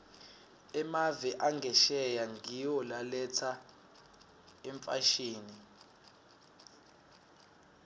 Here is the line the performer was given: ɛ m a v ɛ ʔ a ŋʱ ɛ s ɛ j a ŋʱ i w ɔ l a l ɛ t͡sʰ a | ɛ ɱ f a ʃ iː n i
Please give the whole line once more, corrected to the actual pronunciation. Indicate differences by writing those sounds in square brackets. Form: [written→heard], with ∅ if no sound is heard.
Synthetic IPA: ɛ m a v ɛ ʔ a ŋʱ ɛ [s→ʃ] ɛ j a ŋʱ i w ɔ l a l ɛ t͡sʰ a | ɛ ɱ f a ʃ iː n i